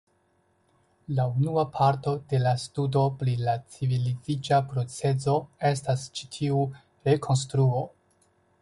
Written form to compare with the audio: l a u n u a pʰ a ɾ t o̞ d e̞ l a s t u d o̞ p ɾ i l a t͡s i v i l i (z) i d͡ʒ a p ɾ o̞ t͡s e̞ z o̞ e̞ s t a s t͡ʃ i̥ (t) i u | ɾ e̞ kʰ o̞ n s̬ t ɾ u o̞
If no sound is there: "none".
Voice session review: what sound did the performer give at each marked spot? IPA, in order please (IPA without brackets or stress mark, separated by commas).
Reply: z, tʰ